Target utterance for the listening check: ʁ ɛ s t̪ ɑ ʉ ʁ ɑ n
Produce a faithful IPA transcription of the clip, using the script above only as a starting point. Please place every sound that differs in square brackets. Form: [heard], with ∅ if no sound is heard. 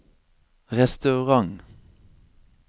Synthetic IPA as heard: ʁ ɛ s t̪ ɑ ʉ ʁ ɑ [ŋ]